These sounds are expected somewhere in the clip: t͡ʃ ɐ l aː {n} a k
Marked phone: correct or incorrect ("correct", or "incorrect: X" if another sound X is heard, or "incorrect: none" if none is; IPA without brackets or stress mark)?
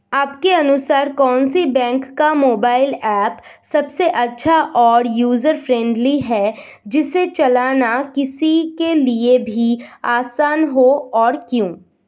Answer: correct